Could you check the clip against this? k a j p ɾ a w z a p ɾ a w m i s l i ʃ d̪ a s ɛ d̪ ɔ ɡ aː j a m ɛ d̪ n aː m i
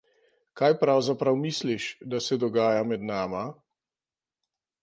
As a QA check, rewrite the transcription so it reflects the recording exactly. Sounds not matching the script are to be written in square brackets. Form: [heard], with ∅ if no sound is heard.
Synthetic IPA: k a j p ɾ a w z a p ɾ a w m i s l i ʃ d̪ a s ɛ d̪ ɔ ɡ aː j a m ɛ d̪ n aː m [a]